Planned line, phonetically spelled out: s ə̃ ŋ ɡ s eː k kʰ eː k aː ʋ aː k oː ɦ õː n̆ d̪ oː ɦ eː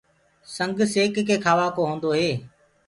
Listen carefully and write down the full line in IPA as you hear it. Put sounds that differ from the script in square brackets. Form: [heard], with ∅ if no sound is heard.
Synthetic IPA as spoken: s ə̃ ŋ ɡ s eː k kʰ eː [kʰ] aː ʋ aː k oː ɦ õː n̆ d̪ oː ɦ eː

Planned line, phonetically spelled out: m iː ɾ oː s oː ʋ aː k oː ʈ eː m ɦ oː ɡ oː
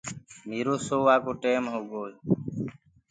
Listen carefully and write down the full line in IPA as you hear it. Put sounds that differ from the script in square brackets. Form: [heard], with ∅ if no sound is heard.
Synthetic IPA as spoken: m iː ɾ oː s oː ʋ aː k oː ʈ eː m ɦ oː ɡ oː

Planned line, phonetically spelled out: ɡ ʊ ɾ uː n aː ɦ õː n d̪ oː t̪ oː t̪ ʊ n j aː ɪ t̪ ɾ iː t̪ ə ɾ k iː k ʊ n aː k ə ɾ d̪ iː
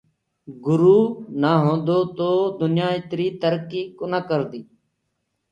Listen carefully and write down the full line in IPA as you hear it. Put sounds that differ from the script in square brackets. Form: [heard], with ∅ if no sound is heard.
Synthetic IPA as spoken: ɡ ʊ ɾ uː n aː ɦ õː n d̪ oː t̪ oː [d̪] ʊ n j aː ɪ t̪ ɾ iː t̪ ə ɾ k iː k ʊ n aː k ə ɾ d̪ iː

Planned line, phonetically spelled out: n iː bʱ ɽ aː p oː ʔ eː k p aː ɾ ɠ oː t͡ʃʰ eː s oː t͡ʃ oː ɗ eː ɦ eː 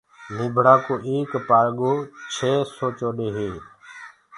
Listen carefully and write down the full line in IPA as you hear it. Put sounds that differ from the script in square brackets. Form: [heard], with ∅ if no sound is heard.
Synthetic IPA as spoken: n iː bʱ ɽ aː [k] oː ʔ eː k p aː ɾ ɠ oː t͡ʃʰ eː s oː t͡ʃ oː ɗ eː ɦ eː

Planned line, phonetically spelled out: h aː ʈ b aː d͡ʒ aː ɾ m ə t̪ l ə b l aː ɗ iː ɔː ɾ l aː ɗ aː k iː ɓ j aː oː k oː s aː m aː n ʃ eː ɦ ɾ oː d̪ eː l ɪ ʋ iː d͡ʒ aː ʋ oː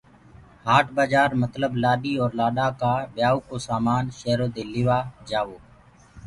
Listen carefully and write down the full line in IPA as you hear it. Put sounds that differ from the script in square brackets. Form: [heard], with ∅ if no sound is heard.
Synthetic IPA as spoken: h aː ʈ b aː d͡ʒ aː ɾ m ə t̪ l ə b l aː ɗ iː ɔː ɾ l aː ɗ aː k [aː] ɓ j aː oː k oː s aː m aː n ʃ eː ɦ ɾ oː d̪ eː l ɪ ʋ [aː] d͡ʒ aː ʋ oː

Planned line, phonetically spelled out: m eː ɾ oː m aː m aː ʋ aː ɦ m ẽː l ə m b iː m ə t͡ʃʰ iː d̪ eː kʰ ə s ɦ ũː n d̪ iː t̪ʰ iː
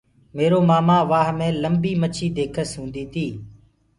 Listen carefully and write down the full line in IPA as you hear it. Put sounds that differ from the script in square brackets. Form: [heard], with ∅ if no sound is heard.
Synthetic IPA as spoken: m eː ɾ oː m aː m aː ʋ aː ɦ m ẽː l ə m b iː m ə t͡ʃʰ iː d̪ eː kʰ ə s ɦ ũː n d̪ iː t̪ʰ iː

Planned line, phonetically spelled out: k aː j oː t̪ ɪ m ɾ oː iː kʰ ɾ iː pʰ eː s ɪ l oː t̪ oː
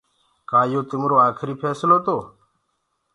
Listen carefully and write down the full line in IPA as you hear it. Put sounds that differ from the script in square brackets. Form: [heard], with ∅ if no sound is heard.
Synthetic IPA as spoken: k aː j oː t̪ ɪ m ɾ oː [aː] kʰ ɾ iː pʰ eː s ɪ l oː t̪ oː

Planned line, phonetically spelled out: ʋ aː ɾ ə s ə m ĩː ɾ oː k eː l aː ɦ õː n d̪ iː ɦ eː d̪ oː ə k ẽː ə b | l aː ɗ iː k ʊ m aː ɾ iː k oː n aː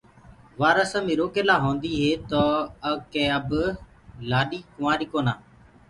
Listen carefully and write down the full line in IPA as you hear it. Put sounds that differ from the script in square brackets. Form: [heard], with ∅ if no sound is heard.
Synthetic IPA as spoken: ʋ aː ɾ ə s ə m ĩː ɾ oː k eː l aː ɦ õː n d̪ iː ɦ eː [t̪] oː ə k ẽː ə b | l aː ɗ iː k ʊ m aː ɾ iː k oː n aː

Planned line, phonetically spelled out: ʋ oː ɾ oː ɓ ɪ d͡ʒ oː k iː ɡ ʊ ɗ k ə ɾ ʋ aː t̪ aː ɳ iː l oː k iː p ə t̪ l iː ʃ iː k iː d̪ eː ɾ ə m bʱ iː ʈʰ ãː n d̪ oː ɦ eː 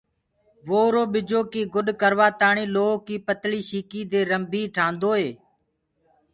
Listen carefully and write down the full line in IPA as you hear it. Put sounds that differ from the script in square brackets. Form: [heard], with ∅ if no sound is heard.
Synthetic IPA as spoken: ʋ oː ɾ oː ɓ ɪ d͡ʒ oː k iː ɡ ʊ ɗ k ə ɾ ʋ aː t̪ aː ɳ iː l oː k iː p ə t̪ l iː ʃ iː k iː d̪ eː ɾ ə m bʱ iː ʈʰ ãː n d̪ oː ɦ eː

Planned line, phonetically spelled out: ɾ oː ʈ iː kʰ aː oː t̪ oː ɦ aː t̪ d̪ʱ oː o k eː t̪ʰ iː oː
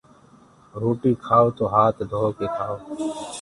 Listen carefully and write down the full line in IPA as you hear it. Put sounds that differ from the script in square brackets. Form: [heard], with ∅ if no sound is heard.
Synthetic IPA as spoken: ɾ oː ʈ iː kʰ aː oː t̪ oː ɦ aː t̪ d̪ʱ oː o k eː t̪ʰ [aː] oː

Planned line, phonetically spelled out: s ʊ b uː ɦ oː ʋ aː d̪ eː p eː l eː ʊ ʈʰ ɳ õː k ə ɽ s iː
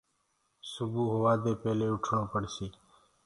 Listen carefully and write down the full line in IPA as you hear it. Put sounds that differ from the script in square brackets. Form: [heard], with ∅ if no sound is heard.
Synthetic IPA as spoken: s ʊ b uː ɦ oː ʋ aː d̪ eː p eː l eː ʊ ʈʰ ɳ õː [p] ə ɽ s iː

